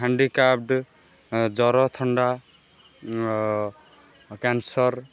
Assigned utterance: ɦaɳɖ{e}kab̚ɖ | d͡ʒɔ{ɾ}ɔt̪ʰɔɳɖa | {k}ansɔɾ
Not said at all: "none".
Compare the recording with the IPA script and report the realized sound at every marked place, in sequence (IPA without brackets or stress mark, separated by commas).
i, ɾ, k